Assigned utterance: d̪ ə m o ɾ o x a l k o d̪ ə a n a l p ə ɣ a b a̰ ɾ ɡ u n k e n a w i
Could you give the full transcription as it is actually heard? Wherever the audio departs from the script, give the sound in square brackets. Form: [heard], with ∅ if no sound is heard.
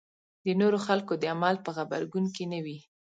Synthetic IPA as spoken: d̪ ə [n] o ɾ o x a l k o d̪ ə a [m] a l p ə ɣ a b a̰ ɾ ɡ u n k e n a w i